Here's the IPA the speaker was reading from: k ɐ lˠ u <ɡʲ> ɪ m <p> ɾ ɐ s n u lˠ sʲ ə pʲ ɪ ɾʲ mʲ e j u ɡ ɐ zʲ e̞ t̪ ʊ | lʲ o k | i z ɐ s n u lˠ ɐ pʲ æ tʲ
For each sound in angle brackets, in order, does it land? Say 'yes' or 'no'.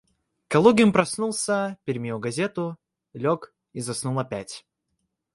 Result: yes, yes

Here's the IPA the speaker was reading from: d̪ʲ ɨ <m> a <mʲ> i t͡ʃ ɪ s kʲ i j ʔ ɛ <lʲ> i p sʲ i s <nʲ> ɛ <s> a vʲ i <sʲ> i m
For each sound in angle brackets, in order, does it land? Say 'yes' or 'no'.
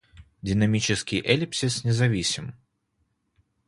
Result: no, yes, yes, yes, no, yes

